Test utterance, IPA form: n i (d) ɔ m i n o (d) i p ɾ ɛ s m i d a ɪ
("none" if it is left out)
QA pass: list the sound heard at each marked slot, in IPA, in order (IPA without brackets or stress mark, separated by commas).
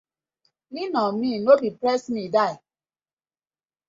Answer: n, b